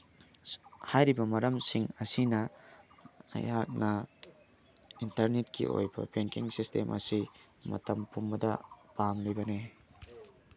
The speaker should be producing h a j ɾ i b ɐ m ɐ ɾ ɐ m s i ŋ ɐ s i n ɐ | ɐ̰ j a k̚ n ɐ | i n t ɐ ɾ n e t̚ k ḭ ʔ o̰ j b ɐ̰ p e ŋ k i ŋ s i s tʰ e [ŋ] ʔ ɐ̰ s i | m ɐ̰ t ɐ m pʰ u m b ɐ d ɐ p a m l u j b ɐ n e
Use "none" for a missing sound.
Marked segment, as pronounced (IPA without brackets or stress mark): m